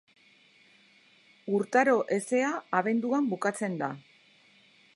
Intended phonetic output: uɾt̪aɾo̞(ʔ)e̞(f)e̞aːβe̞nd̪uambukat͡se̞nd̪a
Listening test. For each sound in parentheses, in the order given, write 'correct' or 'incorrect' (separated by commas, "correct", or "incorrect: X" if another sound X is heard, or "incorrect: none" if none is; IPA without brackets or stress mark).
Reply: correct, incorrect: s